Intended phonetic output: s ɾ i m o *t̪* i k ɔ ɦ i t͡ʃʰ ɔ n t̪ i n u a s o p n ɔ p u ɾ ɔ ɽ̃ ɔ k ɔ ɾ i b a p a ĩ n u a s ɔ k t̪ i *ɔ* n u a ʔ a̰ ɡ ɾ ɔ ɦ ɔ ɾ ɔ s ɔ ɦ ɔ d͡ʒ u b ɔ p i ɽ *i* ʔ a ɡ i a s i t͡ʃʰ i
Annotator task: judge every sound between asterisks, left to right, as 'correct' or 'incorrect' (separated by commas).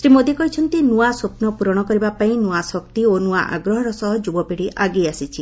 incorrect, incorrect, correct